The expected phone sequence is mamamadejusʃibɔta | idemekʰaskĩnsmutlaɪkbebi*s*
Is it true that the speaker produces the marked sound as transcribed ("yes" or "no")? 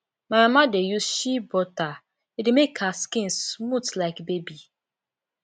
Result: no